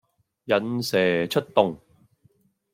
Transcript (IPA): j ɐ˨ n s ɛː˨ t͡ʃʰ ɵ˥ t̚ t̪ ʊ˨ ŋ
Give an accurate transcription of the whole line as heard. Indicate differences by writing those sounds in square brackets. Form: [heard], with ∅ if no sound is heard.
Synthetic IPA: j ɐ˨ n s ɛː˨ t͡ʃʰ ɵ˥ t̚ t̪ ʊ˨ ŋ

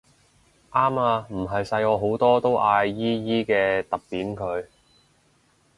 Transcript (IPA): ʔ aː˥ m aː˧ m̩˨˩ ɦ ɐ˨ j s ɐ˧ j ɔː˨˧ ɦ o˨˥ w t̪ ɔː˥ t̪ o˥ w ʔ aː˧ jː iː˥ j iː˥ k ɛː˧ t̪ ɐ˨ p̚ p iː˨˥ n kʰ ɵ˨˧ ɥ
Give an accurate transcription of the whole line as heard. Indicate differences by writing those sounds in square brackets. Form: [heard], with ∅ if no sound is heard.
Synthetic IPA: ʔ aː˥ m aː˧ m̩˨˩ ɦ ɐ˨ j s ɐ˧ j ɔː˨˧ ɦ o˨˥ w t̪ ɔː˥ t̪ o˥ w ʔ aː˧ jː iː˥ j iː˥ k ɛː˧ t̪ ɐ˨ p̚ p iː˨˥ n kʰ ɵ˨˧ ɥ

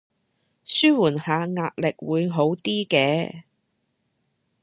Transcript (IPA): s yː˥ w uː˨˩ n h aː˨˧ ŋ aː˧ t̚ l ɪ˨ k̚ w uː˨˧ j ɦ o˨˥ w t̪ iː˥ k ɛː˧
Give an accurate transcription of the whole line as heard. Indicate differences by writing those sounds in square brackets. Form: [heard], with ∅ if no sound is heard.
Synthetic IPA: s yː˥ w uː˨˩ n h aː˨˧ ŋ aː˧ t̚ l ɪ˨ k̚ w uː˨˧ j ɦ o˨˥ w t̪ iː˥ k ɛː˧

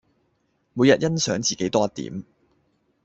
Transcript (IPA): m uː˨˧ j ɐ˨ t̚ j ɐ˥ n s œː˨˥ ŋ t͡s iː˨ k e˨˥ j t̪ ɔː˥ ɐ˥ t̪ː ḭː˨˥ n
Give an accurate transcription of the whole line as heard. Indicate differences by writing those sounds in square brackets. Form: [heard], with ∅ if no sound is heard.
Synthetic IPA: m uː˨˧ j ɐ˨ t̚ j ɐ˥ n s œː˨˥ ŋ t͡s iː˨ k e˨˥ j t̪ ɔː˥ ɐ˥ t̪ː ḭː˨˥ [m]

